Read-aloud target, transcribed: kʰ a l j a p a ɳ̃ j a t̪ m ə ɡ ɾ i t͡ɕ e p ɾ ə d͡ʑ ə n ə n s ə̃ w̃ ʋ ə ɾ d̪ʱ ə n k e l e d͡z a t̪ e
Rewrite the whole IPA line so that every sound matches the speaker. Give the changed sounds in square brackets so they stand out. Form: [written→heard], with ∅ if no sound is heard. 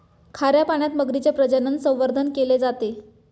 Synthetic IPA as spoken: kʰ a [l→ɾ] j a p a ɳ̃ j a t̪ m ə ɡ ɾ i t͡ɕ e p ɾ ə d͡ʑ ə n ə n s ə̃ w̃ ʋ ə ɾ d̪ʱ ə n k e l e d͡z a t̪ e